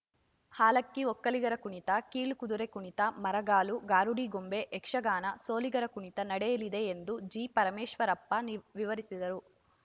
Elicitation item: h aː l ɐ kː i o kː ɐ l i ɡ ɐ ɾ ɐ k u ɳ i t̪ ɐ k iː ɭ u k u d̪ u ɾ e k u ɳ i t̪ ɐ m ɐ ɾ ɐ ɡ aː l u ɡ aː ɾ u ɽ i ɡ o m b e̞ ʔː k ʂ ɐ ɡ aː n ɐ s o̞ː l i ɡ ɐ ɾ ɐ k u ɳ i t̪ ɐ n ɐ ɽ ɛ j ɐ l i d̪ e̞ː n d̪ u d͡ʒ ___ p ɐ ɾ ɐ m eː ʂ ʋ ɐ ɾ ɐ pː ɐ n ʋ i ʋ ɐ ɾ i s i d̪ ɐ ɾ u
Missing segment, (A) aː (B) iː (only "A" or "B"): B